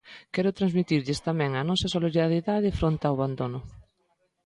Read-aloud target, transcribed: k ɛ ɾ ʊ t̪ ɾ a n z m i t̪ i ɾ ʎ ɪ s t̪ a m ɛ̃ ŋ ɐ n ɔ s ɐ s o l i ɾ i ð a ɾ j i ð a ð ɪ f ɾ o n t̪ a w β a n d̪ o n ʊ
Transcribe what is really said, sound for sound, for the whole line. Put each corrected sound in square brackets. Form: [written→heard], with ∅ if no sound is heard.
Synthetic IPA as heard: k ɛ ɾ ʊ t̪ ɾ a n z m i t̪ i ɾ ʎ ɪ s t̪ a m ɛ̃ ŋ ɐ n ɔ s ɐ s o l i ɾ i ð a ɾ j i ð a ð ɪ f ɾ o n t̪ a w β a n d̪ o n ʊ